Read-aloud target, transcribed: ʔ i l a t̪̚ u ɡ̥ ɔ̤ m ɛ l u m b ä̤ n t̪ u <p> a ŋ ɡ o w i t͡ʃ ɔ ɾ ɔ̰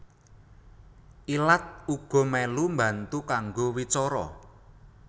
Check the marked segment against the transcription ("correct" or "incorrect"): incorrect